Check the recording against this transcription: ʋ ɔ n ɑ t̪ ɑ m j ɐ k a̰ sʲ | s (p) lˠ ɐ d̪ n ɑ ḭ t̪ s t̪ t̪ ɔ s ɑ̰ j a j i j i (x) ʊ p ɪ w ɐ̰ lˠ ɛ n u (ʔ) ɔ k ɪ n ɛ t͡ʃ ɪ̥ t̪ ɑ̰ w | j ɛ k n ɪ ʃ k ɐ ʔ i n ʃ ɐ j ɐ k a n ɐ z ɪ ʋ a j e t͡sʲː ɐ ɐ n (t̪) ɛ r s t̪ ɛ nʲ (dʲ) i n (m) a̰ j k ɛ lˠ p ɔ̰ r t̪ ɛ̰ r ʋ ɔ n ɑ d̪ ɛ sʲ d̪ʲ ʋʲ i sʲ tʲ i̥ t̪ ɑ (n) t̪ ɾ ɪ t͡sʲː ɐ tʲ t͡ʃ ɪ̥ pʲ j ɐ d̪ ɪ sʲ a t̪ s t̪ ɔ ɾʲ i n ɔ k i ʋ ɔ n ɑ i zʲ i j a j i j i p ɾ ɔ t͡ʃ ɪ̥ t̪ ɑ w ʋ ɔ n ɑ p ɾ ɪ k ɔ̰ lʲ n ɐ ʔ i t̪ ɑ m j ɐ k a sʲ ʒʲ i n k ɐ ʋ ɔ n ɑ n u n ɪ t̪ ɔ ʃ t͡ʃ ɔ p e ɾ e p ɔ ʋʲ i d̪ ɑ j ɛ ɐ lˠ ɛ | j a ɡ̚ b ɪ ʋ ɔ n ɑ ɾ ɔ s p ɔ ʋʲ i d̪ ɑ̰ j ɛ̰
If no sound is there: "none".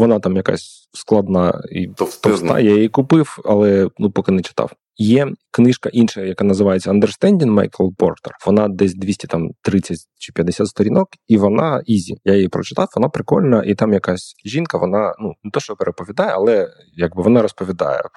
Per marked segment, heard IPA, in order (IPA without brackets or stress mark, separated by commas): k, k, p, d̪, dʲ, m, m